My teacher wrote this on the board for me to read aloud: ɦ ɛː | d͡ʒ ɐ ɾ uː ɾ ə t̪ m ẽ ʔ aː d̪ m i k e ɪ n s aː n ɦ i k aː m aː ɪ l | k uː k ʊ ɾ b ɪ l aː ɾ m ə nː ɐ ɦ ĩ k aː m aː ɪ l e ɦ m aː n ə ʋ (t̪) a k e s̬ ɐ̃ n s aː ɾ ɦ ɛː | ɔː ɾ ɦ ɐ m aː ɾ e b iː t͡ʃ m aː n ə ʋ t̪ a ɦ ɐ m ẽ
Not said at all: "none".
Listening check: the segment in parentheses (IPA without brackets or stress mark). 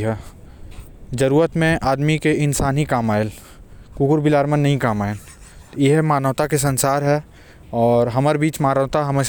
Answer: t̪